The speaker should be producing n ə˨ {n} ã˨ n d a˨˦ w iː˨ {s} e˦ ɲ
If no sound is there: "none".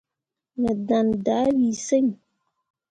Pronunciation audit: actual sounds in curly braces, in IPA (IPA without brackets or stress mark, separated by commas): d, s